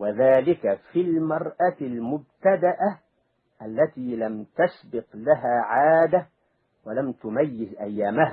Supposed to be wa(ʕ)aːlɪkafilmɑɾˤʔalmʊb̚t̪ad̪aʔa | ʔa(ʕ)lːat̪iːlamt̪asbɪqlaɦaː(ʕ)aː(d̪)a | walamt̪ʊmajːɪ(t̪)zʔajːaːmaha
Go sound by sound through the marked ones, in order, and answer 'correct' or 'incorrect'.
incorrect, incorrect, correct, correct, incorrect

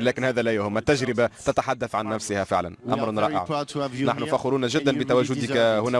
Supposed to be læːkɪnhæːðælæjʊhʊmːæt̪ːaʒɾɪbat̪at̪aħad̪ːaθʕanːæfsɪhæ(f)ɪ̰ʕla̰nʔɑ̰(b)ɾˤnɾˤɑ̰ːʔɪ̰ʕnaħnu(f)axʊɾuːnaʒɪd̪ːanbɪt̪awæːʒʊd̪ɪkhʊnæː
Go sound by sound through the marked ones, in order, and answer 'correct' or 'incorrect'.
correct, incorrect, correct

